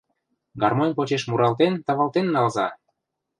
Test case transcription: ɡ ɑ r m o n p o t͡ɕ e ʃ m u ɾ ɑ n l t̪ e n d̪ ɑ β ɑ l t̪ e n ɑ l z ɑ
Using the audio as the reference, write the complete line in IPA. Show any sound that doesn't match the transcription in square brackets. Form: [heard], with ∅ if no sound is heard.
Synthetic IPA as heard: ɡ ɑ r m o n p o t͡ɕ e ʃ m u ɾ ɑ [∅] l t̪ e n [t̪] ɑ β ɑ l t̪ e [nː] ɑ l z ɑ